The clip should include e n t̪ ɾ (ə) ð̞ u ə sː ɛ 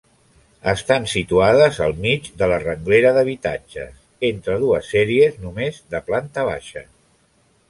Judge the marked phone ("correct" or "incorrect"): correct